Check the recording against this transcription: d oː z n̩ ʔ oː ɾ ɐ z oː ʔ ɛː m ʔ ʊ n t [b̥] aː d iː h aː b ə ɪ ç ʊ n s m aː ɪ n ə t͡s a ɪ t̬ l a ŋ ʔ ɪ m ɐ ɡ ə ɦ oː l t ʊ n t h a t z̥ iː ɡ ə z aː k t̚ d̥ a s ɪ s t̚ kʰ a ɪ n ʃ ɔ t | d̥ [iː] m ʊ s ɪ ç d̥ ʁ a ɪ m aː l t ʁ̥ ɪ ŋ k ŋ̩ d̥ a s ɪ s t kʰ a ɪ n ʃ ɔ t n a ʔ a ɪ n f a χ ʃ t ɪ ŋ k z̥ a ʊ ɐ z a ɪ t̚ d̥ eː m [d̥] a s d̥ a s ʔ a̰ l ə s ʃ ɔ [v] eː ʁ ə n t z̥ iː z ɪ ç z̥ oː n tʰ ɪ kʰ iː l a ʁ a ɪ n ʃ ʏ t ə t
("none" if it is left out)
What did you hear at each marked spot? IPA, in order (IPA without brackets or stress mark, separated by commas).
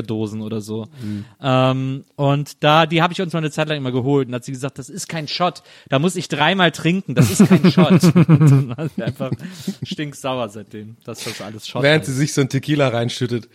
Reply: d̥, aː, d̥, v